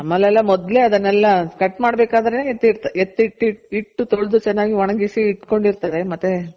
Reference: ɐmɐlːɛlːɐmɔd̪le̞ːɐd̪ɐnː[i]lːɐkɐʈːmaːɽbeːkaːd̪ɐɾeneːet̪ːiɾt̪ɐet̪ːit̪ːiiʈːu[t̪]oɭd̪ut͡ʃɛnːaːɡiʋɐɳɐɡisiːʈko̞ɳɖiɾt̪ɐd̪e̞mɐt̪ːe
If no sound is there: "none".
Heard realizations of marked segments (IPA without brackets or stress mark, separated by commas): ɛ, t̪